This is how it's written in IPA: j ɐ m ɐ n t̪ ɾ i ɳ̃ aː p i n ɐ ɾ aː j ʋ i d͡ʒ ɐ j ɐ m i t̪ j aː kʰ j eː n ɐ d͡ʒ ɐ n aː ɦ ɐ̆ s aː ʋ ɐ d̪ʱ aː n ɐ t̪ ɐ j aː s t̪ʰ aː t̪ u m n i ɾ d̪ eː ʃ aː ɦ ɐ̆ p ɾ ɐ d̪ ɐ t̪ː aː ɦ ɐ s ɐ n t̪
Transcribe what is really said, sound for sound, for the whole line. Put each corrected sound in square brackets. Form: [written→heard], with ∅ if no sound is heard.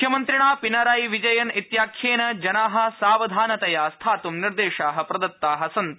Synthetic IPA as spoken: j ɐ m ɐ n t̪ ɾ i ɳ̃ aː p i n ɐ ɾ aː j ʋ i d͡ʒ ɐ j ɐ [m→n] i t̪ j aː kʰ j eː n ɐ d͡ʒ ɐ n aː ɦ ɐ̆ s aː ʋ ɐ d̪ʱ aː n ɐ t̪ ɐ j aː s t̪ʰ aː t̪ u m n i ɾ d̪ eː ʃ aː ɦ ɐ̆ p ɾ ɐ d̪ ɐ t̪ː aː ɦ ɐ s ɐ n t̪